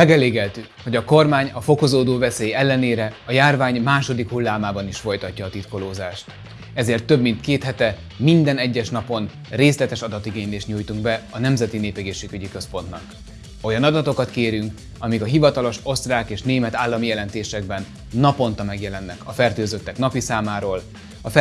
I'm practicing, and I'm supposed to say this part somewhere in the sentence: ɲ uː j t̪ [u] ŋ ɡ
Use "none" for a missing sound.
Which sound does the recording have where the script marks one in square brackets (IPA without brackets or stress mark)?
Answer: u